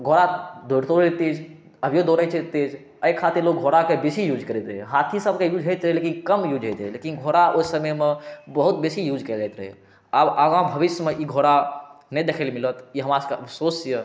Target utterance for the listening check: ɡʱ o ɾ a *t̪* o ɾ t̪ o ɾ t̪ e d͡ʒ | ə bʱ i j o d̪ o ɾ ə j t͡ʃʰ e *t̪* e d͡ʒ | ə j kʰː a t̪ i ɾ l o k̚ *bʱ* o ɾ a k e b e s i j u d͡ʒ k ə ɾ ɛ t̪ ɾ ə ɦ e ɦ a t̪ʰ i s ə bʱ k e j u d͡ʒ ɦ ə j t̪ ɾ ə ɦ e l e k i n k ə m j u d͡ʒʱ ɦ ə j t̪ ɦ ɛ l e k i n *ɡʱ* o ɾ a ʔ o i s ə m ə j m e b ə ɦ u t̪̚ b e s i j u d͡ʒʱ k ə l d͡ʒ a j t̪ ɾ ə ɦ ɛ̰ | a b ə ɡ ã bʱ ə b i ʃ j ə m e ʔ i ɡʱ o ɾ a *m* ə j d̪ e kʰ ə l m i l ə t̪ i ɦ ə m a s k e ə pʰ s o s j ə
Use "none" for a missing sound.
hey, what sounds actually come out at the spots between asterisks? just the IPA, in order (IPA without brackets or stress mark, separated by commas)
d̪, t̪, ɡʱ, ɡʱ, n